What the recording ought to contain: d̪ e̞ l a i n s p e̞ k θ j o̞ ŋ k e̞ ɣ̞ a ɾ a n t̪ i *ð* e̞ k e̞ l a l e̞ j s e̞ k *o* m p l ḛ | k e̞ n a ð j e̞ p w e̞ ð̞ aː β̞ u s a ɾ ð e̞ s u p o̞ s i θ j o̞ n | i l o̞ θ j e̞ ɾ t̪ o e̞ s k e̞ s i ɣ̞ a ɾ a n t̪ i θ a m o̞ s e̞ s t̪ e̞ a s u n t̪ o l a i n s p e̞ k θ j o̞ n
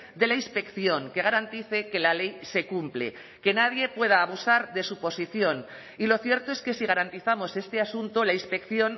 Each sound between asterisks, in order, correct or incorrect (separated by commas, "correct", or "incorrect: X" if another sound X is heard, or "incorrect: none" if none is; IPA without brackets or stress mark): incorrect: θ, incorrect: u